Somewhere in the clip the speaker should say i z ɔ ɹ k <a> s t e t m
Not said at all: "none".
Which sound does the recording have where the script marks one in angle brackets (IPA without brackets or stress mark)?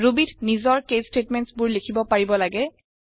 e